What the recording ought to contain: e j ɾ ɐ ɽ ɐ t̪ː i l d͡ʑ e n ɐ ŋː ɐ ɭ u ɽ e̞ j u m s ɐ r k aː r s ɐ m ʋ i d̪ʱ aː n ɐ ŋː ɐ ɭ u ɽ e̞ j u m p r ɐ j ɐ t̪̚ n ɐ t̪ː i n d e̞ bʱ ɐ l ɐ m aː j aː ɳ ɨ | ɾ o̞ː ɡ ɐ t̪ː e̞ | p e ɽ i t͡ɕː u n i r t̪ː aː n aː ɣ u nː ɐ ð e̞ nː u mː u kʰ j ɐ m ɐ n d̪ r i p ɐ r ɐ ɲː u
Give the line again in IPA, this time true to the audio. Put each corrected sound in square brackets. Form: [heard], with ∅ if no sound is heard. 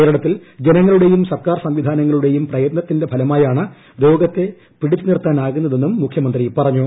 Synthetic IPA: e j ɾ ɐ ɽ ɐ t̪ː i l d͡ʑ e n ɐ ŋː ɐ ɭ u ɽ e̞ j u m s ɐ r k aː r s ɐ m ʋ i d̪ʱ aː n ɐ ŋː ɐ ɭ u ɽ e̞ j u m p r ɐ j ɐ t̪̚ n ɐ t̪ː i n d e̞ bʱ ɐ l ɐ m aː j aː ɳ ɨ | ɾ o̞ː ɡ ɐ t̪ː e̞ | p [i] ɽ i t͡ɕː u n i r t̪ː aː n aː ɣ u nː ɐ ð e̞ nː u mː u kʰ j ɐ m ɐ n d̪ r i p ɐ r ɐ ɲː u